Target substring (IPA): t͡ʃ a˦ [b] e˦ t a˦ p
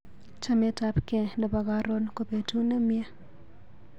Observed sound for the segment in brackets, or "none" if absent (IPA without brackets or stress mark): m